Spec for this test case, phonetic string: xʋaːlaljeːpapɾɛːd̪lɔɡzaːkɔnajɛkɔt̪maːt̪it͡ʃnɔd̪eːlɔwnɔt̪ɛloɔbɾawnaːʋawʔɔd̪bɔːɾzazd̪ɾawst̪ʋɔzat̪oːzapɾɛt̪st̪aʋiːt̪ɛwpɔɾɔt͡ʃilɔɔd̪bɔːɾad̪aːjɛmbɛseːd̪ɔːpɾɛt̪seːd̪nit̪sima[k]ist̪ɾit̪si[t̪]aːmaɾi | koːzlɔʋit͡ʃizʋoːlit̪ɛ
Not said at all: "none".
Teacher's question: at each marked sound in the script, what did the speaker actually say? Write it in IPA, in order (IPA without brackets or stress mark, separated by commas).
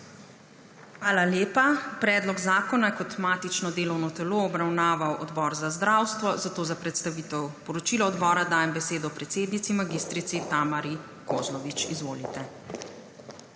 ɡ, t̪